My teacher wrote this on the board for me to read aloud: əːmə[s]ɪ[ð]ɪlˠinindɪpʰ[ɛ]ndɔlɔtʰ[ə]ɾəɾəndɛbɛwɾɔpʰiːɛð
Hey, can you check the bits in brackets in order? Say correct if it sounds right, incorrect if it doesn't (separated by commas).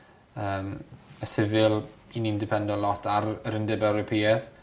correct, incorrect, correct, incorrect